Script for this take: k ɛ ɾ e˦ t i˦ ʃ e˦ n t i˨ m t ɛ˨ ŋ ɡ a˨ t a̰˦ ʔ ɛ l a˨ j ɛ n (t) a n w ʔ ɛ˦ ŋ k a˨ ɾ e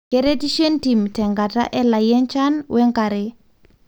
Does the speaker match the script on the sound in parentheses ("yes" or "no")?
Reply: no